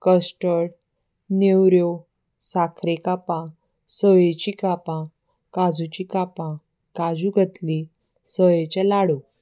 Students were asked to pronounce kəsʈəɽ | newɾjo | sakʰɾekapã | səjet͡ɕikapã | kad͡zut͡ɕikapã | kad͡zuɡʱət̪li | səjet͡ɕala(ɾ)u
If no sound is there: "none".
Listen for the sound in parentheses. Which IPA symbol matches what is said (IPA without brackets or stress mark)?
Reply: ɽ